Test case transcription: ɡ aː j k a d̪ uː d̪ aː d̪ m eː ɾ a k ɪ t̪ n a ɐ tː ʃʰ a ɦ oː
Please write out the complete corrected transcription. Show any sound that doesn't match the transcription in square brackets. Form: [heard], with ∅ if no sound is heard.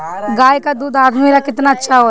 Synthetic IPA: ɡ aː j k a d̪ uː d̪ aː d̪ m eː ɾ a k ɪ t̪ n a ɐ tː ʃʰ a ɦ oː